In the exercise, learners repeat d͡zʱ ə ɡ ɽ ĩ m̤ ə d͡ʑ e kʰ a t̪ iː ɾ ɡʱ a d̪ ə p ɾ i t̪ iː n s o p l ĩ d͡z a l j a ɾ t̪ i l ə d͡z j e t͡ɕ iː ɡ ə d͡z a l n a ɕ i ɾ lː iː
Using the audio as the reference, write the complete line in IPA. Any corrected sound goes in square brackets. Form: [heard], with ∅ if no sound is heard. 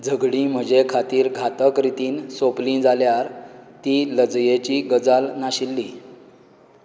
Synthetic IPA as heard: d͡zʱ ə ɡ ɽ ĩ m̤ ə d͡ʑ e kʰ a t̪ iː ɾ ɡʱ a [t̪] ə [k] ɾ i t̪ iː n s o p l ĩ d͡z a l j a ɾ t̪ i l ə d͡z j e t͡ɕ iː ɡ ə d͡z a l n a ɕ i [∅] lː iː